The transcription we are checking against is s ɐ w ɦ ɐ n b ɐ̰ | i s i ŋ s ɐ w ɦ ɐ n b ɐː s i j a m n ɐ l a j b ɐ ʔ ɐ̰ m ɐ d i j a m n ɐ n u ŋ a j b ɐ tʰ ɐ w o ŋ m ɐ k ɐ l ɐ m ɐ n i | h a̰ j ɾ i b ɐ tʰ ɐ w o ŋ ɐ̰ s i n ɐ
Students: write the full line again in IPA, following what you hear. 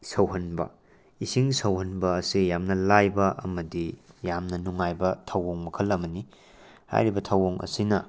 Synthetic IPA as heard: s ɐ w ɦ ɐ n b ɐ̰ | i s i ŋ s ɐ w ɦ ɐ n b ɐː s i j a m n ɐ l a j b ɐ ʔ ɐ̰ m ɐ d i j a m n ɐ n u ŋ a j b ɐ tʰ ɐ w o ŋ m ɐ kʰ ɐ l ɐ m ɐ n i | h a̰ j ɾ i b ɐ tʰ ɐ w o ŋ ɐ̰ s i n ɐ